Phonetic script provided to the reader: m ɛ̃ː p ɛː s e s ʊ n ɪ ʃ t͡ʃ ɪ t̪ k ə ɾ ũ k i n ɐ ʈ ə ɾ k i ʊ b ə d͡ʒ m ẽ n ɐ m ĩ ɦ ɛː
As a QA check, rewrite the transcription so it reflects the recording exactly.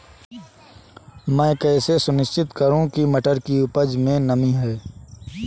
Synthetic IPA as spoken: m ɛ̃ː k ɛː s e s ʊ n ɪ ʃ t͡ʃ ɪ t̪ k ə ɾ ũ k i m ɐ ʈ ə ɾ k i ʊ p ə d͡ʒ m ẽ n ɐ m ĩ ɦ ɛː